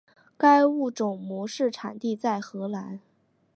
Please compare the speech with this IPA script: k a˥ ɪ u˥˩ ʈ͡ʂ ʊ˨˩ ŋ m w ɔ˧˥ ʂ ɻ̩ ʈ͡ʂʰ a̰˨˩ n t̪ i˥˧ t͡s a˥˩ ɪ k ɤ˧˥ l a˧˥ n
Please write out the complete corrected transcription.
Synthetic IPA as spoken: k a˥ ɪ u˥˩ ʈ͡ʂ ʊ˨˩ ŋ m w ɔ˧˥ ʂ ɻ̩ ʈ͡ʂʰ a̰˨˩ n t̪ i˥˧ t͡s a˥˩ ɪ x ɤ˧˥ l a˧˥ n